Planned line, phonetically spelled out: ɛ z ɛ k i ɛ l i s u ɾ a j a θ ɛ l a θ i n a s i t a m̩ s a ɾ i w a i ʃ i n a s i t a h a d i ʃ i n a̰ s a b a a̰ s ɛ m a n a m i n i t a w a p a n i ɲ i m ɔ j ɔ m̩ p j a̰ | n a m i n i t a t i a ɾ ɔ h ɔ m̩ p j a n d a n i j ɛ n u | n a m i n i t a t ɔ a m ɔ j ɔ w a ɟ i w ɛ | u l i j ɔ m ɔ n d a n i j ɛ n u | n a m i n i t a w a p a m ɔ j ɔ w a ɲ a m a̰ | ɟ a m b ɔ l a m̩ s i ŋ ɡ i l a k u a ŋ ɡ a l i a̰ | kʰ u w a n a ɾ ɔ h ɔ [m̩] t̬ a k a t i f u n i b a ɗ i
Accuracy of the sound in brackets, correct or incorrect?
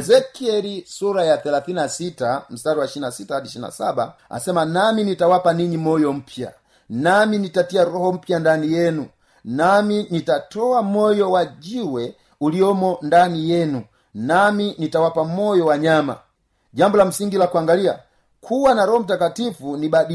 correct